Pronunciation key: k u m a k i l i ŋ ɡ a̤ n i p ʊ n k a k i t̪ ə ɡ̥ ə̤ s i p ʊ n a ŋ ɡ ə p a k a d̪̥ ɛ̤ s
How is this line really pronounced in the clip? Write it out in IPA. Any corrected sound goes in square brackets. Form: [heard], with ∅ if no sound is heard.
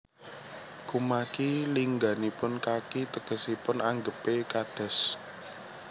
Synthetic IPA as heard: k u m a k i l i ŋ ɡ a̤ n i p ʊ n k a k i t̪ ə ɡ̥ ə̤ s i p ʊ n a ŋ ɡ ə p [e] k a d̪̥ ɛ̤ s